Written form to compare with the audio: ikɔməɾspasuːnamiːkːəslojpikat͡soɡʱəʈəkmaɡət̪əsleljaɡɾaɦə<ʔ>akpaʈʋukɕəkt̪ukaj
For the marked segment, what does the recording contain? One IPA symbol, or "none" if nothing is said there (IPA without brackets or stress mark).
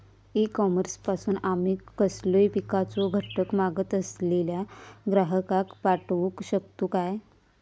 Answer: k